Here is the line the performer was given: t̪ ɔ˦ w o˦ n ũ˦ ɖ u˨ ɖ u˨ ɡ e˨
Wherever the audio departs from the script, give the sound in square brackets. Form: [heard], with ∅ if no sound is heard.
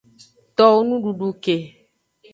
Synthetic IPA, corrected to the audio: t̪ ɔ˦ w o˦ n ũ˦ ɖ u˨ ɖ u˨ [k] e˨